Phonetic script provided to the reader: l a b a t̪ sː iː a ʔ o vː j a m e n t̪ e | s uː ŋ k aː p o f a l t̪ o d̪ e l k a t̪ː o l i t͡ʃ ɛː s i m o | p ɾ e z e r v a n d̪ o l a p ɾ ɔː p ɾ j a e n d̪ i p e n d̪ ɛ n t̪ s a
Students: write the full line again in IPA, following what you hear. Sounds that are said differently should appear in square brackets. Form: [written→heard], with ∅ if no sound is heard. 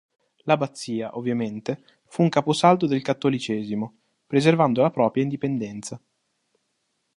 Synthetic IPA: l a b a t̪ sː iː a ʔ o vː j a m e n t̪ e | [s→f] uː ŋ k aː p o [f→s] a l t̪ o d̪ e l k a t̪ː o l i t͡ʃ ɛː [s→z] i m o | p ɾ e z e r v a n d̪ o l a p ɾ ɔː p ɾ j a [e→i] n d̪ i p e n d̪ ɛ n t̪ s a